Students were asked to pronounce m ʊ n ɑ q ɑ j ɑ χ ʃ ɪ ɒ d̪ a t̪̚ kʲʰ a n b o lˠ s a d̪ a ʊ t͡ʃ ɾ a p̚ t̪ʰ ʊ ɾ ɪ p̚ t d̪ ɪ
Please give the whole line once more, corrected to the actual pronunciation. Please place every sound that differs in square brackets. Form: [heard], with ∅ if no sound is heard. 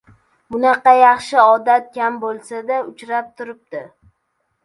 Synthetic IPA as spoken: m ʊ n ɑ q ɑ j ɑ χ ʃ ɪ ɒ d̪ a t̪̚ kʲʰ a [m] b o lˠ s a d̪ a ʊ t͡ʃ ɾ a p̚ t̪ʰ ʊ ɾ ɪ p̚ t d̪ ɪ